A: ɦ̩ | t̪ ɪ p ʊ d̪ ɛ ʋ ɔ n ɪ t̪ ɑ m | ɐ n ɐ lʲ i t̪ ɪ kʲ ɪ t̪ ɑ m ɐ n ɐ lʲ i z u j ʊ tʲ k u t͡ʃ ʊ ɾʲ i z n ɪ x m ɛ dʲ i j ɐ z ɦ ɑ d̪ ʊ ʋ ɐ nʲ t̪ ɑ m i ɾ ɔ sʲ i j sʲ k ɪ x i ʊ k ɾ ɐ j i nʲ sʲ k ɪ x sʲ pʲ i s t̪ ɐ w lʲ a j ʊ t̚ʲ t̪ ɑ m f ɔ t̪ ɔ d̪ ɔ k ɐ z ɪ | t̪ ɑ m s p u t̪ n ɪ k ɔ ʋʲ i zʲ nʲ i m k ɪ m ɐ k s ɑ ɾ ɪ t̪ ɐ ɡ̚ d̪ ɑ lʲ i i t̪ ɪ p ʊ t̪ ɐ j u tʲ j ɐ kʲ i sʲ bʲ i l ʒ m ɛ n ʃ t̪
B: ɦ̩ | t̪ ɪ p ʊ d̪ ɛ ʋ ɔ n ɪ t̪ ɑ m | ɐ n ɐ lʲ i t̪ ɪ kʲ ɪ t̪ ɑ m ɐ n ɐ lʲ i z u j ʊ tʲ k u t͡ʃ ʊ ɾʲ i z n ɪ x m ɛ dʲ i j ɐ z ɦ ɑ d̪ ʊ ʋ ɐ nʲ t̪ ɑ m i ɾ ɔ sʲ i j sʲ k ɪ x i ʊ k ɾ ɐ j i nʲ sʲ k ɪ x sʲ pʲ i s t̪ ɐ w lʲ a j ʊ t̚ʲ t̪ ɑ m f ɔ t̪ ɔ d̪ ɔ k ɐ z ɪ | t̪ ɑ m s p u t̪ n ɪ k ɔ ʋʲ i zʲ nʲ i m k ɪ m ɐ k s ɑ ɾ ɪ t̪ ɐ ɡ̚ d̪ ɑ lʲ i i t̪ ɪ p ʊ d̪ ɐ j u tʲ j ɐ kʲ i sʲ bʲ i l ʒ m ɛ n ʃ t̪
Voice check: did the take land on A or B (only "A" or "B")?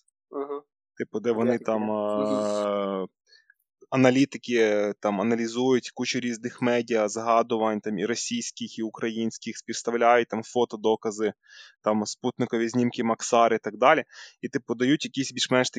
B